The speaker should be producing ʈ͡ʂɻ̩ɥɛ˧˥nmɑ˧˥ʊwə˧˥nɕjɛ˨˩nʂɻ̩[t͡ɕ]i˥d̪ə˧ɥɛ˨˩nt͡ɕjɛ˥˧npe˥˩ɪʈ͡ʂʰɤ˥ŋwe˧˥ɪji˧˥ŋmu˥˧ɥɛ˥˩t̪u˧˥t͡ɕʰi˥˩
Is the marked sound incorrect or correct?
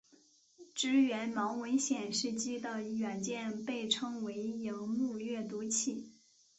correct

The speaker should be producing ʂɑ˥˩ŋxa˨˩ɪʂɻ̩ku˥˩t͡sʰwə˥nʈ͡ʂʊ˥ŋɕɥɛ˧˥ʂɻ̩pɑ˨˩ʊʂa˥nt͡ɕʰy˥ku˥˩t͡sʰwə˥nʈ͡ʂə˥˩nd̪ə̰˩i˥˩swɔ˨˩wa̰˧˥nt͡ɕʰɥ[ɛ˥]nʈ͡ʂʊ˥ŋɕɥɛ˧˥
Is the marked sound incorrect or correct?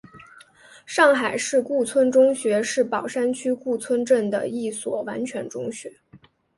incorrect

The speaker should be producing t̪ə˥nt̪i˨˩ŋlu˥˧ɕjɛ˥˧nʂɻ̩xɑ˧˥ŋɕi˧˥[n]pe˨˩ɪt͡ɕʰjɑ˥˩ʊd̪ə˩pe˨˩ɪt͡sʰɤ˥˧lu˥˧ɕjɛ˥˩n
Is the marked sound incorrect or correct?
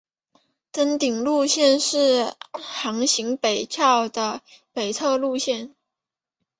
incorrect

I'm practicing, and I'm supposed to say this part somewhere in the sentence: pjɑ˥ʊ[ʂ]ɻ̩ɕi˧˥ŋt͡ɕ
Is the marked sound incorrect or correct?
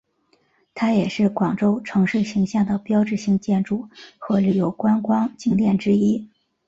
incorrect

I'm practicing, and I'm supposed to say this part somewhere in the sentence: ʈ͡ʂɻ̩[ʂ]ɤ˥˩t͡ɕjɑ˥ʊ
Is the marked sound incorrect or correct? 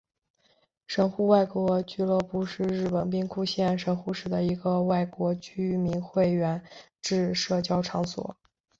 correct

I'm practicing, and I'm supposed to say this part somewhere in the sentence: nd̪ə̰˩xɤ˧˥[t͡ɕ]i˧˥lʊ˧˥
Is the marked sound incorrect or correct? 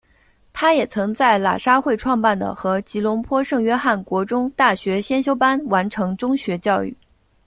correct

